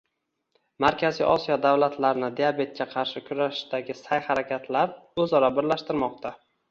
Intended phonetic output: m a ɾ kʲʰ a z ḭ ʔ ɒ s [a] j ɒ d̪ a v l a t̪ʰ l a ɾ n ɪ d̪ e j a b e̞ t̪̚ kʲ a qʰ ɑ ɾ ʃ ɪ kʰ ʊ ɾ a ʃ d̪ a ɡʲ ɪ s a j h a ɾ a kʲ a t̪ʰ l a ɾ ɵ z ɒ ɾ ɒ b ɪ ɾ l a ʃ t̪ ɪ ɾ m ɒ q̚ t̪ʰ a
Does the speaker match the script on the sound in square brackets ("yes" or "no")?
no